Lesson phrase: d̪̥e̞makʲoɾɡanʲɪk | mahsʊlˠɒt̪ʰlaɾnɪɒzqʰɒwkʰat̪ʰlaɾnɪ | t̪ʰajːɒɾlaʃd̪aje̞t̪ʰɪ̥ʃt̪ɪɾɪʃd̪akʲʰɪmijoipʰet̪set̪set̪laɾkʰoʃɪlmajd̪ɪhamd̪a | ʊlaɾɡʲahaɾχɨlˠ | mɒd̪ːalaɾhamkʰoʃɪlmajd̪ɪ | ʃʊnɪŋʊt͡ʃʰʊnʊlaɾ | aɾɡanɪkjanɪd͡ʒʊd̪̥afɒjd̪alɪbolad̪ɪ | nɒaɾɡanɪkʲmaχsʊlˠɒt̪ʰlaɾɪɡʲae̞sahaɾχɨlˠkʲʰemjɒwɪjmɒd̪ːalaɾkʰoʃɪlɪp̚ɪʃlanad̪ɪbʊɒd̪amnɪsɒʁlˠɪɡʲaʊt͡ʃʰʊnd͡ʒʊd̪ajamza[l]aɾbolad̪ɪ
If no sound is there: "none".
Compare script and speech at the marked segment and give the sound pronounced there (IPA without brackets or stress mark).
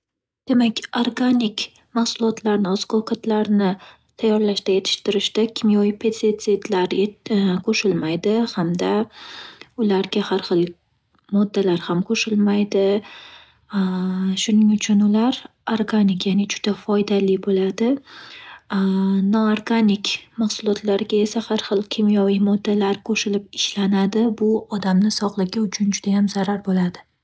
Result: ɾ